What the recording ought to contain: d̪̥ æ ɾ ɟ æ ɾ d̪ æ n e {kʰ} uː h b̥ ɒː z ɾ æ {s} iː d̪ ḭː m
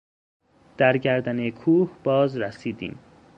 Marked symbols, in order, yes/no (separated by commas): yes, yes